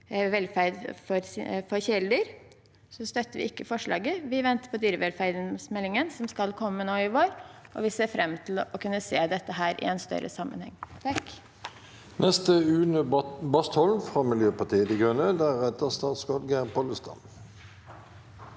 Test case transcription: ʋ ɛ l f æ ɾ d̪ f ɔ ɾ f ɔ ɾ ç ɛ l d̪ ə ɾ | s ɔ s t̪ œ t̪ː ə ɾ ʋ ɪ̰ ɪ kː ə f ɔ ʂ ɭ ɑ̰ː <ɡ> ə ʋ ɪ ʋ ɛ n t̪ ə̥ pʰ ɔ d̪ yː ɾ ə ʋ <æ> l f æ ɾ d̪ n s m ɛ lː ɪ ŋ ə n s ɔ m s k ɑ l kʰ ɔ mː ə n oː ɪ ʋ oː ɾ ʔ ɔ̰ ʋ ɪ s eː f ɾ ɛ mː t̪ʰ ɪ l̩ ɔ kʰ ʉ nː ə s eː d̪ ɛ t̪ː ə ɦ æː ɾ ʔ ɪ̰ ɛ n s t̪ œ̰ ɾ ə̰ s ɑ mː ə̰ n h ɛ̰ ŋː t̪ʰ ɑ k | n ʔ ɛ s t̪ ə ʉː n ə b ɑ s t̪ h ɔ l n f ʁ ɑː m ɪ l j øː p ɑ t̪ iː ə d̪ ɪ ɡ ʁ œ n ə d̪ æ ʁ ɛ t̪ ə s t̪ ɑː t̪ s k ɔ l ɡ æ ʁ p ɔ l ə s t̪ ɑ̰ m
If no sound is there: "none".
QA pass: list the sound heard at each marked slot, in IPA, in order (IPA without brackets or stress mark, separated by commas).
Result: ɡ, ɛ